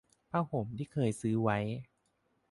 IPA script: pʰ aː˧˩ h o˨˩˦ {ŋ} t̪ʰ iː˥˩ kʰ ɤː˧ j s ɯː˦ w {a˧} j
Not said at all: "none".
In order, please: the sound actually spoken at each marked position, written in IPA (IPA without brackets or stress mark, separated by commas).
m, a˦˥